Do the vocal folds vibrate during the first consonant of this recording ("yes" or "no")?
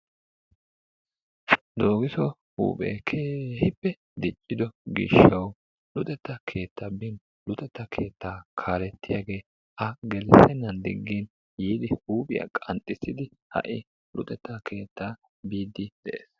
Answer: yes